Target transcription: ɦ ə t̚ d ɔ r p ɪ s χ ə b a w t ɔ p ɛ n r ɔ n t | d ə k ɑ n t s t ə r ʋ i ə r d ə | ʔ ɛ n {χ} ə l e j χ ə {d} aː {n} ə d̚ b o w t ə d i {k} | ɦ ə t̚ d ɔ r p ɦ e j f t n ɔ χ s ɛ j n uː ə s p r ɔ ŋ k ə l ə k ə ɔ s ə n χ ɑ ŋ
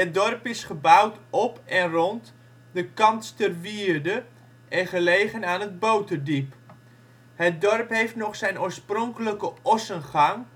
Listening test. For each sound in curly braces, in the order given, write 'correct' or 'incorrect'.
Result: correct, incorrect: n, correct, incorrect: p

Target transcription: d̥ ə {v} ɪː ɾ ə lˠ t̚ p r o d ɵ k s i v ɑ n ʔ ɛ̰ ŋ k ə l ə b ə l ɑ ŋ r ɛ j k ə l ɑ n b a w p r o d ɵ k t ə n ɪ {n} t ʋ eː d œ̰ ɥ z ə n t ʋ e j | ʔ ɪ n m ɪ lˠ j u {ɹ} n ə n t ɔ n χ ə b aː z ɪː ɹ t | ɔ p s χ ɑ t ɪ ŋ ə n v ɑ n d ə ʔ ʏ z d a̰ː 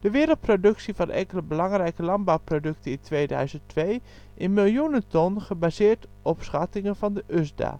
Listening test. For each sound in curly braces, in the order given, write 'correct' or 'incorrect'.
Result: incorrect: ʋ, correct, incorrect: none

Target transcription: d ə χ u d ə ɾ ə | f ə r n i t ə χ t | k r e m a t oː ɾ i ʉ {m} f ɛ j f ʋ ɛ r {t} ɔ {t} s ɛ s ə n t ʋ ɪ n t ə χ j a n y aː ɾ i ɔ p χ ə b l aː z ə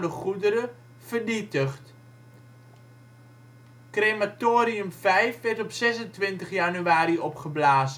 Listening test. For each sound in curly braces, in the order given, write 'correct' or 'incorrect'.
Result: correct, correct, incorrect: p

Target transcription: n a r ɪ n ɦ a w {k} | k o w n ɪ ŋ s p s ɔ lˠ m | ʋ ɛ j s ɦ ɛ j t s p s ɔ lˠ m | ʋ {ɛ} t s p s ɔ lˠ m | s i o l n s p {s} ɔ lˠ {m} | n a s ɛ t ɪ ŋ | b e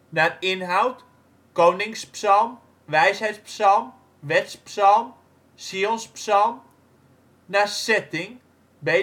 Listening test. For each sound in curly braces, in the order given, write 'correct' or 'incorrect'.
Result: incorrect: t, correct, correct, correct

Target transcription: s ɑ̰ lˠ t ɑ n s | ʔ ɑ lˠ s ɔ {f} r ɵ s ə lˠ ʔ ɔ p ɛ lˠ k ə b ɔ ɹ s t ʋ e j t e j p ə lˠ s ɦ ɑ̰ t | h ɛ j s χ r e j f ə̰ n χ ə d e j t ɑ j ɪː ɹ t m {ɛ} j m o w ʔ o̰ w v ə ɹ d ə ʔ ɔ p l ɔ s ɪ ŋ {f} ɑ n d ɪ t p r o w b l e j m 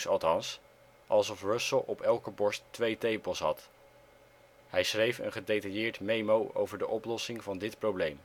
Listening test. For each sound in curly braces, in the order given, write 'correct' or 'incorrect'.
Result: correct, incorrect: e, incorrect: v

